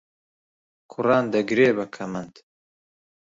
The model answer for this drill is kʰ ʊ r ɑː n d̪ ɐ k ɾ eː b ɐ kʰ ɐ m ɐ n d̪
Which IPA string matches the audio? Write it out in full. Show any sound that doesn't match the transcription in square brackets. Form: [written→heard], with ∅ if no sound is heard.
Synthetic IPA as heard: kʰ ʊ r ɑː n d̪ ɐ [k→ɡ] ɾ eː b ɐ kʰ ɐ m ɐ n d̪